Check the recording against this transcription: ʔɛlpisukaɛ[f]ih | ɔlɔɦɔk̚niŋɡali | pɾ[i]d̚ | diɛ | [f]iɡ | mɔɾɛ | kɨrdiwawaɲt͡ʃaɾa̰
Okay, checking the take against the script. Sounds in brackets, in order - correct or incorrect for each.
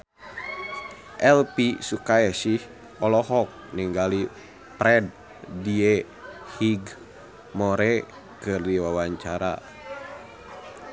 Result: incorrect: s, incorrect: ɛ, incorrect: h

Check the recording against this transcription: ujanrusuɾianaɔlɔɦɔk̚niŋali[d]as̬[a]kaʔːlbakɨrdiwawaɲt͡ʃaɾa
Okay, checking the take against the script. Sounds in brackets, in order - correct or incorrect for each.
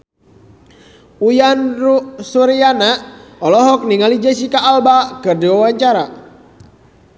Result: incorrect: d͡ʒ, incorrect: i

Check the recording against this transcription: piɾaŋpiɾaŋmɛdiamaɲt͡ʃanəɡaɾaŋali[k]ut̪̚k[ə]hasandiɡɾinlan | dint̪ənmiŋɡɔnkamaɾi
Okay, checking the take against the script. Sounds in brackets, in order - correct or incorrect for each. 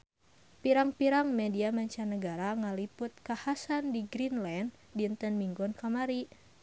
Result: incorrect: p, incorrect: a

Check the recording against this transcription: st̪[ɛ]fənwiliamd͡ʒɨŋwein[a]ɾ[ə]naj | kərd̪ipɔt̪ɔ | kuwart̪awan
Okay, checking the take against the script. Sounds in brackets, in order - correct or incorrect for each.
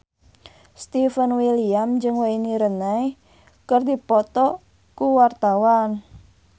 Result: incorrect: i, incorrect: i, correct

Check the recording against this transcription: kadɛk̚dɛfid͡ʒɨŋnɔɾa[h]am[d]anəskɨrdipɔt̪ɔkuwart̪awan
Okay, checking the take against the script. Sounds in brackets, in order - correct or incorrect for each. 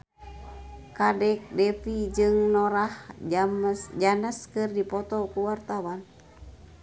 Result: correct, incorrect: d͡ʒ

